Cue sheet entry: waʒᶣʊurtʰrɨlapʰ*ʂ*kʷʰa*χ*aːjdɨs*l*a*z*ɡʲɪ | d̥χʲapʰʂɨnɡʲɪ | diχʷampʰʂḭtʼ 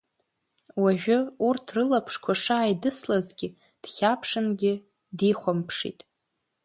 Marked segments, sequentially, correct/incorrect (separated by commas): correct, incorrect, correct, correct